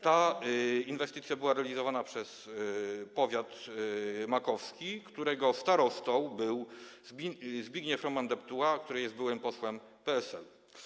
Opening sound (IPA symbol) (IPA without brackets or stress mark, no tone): t̪